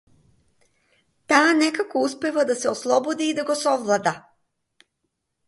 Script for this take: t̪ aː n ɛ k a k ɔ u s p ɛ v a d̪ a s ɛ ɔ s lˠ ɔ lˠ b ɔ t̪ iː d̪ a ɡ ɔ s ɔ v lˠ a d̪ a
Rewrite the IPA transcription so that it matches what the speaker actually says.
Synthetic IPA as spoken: t̪ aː n ɛ k a k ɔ u s p ɛ v a d̪ a s ɛ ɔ s lˠ ɔ b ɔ d̪ iː d̪ a ɡ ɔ s ɔ v lˠ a d̪ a